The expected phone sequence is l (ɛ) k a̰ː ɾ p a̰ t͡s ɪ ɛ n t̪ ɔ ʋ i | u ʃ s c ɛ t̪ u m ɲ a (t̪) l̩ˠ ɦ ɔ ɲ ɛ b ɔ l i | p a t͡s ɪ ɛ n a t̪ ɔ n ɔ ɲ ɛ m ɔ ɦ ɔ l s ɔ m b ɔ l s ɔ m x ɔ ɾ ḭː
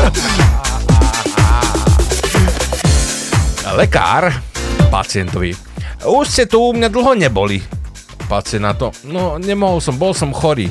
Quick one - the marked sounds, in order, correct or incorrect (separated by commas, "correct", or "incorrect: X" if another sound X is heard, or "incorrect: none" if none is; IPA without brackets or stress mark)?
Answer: correct, incorrect: d̪